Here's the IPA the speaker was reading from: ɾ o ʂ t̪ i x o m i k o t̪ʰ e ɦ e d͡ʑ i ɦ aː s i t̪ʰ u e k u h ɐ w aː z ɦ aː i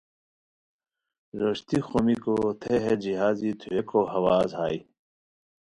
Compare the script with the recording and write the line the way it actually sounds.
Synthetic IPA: ɾ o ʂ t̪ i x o m i k o t̪ʰ e ɦ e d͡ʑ i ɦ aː z i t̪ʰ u e k o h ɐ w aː z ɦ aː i

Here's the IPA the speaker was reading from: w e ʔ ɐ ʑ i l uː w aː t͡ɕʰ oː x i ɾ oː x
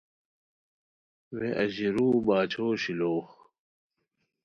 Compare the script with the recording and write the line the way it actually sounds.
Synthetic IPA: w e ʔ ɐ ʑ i ɾ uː b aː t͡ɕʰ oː ɕ i l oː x

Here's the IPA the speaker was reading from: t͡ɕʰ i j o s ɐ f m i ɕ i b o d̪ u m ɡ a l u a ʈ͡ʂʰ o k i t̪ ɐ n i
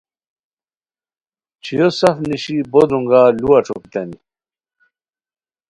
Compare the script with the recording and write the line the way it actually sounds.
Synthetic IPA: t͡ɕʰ i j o s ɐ f n i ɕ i b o d̪ u ŋ ɡ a l u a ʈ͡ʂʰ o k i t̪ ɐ n i

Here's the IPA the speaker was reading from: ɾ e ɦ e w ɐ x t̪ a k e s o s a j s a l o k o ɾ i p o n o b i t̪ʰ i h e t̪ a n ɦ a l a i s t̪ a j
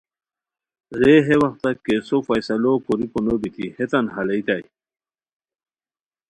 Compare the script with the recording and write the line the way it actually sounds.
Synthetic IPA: ɾ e ɦ e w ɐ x t̪ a k e s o f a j s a l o k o ɾ i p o n o b i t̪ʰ i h e t̪ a n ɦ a l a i t̪ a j

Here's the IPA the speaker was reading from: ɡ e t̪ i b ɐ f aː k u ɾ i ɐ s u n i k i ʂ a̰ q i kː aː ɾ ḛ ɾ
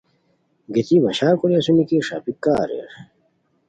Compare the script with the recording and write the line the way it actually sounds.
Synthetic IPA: ɡ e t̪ i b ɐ ɕ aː k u ɾ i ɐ s u n i k i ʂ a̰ p i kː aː ɾ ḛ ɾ

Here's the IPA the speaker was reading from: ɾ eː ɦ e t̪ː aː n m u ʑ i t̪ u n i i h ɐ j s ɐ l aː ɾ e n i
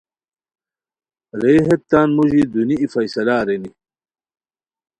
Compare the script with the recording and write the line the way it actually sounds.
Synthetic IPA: ɾ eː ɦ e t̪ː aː n m u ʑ i d̪ u n i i f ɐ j s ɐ l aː ɾ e n i

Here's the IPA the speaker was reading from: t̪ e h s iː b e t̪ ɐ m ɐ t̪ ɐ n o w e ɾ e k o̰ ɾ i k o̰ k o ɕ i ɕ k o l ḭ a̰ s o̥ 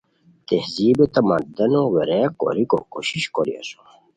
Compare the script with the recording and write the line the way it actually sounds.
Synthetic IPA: t̪ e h z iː b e t̪ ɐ m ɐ d̪ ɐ n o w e ɾ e k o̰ ɾ i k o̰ k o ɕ i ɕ k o ɾ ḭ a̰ s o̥

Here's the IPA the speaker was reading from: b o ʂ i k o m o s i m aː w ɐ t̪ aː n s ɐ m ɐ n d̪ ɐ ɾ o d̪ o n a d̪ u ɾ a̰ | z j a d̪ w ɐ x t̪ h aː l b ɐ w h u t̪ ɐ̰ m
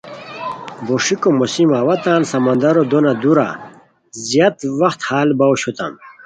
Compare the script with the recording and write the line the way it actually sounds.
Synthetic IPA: b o ʂ i k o m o s i m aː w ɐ t̪ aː n s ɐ m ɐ n d̪ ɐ ɾ o d̪ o n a d̪ u ɾ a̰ | z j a t̪ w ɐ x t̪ h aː l b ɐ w ɕ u t̪ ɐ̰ m

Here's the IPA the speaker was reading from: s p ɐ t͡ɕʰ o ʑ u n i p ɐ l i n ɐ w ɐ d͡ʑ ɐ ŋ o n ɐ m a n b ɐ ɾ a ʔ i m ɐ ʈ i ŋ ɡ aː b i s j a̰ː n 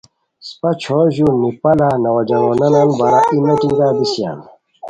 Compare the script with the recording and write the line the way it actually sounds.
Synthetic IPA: s p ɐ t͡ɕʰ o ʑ u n i p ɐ l a n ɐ w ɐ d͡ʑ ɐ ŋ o n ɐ n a n b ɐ ɾ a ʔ i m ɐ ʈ i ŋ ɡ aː b i s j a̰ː n

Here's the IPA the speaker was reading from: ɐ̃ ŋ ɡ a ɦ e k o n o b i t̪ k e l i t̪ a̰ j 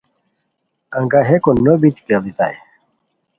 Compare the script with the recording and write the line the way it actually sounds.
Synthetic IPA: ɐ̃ ŋ ɡ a ɦ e k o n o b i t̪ k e l i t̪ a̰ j

